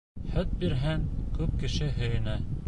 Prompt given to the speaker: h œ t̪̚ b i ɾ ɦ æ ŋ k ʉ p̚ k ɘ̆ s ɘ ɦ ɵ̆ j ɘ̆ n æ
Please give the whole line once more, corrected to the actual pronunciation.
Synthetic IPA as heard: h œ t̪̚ b i ɾ ɦ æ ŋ k ʉ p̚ k ɘ̆ ʃ ɘ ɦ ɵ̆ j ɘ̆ n æ